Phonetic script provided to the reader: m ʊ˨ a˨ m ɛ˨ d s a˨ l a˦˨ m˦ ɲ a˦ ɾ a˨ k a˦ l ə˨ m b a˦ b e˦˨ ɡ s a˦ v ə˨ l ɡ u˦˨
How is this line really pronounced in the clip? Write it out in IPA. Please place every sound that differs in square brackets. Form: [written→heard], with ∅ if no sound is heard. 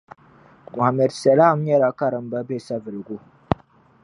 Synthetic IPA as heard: m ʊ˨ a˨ m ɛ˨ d s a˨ l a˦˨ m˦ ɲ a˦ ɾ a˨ k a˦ [l→ɾ] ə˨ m b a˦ b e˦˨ [ɡ→∅] s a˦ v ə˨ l ɡ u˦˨